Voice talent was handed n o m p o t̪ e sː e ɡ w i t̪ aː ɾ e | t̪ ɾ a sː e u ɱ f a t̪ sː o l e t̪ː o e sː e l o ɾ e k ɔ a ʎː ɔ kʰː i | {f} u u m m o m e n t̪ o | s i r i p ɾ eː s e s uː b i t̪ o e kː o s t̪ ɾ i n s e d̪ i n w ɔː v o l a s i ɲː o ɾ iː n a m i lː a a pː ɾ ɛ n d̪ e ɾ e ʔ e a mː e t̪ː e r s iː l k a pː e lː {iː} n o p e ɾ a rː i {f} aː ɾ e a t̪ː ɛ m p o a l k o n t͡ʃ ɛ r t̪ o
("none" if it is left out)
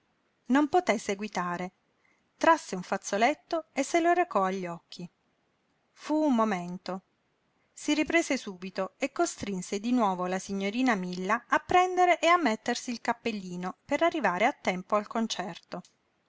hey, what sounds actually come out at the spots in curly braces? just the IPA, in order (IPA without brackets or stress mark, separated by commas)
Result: f, iː, v